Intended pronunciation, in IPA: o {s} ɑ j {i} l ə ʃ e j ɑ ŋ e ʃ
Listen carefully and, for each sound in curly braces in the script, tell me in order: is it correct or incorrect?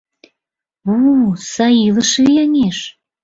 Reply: correct, correct

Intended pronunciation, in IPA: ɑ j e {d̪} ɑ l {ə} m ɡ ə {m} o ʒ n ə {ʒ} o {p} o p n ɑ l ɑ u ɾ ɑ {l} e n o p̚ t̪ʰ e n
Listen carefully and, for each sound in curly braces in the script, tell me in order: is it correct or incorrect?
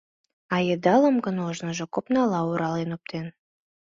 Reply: correct, correct, incorrect: n, correct, incorrect: k, correct

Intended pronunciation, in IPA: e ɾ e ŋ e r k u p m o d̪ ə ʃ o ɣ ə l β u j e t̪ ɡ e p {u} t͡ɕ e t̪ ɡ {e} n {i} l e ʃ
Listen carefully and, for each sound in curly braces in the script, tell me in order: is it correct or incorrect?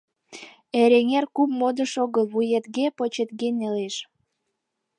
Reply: incorrect: o, correct, incorrect: e

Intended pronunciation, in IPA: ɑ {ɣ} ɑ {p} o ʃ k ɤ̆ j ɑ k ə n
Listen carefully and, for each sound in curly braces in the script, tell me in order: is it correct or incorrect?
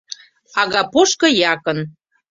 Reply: correct, correct

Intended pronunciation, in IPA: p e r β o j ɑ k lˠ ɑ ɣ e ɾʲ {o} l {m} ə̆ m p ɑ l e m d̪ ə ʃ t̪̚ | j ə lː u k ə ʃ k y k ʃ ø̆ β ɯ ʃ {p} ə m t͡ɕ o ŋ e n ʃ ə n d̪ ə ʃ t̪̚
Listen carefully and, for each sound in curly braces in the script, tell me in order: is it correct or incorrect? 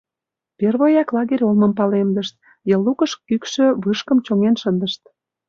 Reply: correct, correct, incorrect: k

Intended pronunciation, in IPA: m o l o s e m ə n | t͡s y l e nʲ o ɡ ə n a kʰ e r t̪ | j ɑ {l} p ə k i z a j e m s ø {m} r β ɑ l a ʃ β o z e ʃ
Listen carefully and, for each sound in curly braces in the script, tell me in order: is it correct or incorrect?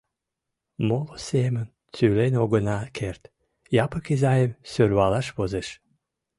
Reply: incorrect: none, incorrect: none

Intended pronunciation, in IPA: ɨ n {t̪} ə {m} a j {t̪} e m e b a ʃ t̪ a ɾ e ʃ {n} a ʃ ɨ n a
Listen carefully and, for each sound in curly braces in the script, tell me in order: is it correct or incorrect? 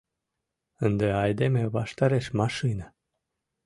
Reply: incorrect: d̪, incorrect: none, incorrect: d̪, incorrect: m

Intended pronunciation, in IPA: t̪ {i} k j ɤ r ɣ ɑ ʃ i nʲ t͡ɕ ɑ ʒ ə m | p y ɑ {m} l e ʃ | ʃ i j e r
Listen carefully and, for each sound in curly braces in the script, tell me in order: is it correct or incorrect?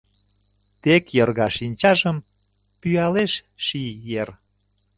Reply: incorrect: e, incorrect: none

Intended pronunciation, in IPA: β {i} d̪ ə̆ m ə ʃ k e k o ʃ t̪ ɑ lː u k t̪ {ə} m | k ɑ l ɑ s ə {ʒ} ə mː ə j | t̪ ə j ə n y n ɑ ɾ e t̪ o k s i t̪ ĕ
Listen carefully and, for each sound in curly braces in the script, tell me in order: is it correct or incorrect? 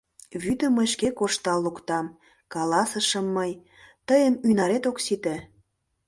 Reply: incorrect: y, incorrect: ɑ, incorrect: ʃ

